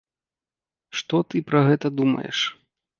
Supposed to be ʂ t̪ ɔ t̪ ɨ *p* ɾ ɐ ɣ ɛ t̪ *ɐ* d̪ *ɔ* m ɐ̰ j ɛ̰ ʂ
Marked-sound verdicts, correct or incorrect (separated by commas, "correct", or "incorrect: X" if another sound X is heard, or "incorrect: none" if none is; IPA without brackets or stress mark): correct, correct, incorrect: u